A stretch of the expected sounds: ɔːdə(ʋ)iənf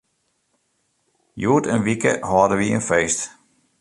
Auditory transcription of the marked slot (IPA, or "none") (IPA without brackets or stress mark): ʋ